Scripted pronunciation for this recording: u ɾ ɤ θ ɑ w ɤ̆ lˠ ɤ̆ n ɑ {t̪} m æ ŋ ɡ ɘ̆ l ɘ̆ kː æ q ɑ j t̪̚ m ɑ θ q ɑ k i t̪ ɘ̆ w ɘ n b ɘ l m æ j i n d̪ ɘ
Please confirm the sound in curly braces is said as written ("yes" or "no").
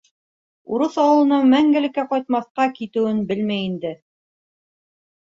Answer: no